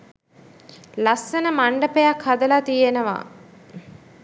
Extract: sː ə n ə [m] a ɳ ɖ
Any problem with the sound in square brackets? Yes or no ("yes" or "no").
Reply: no